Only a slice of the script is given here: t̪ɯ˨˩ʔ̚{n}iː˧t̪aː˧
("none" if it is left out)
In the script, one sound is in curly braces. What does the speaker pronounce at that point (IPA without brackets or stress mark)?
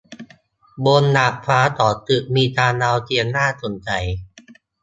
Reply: m